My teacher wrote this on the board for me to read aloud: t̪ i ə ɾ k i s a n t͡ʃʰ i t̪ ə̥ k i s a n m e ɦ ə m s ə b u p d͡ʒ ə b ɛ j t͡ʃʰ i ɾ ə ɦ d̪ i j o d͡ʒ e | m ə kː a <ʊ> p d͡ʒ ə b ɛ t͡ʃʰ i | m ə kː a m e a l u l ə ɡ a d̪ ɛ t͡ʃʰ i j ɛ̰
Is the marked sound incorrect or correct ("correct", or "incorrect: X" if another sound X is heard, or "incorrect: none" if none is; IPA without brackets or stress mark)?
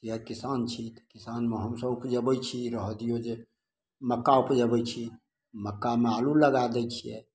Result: incorrect: u